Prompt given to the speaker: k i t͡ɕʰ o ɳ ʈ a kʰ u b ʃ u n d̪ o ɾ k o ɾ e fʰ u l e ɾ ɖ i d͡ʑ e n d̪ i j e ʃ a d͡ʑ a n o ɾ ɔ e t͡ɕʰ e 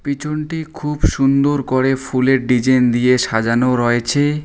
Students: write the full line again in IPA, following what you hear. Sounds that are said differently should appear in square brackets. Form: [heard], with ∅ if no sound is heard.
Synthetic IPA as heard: [p] i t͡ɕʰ o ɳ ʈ [i] kʰ u b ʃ u n d̪ o ɾ k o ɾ e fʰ u l e ɾ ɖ i d͡ʑ e n d̪ i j e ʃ a d͡ʑ a n o ɾ ɔ e t͡ɕʰ e